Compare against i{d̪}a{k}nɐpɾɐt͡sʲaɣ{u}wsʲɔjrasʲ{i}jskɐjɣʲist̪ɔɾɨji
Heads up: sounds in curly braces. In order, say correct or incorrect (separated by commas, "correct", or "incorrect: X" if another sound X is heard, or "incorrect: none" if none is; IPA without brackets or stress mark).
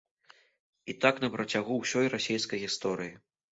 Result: incorrect: t̪, correct, correct, incorrect: e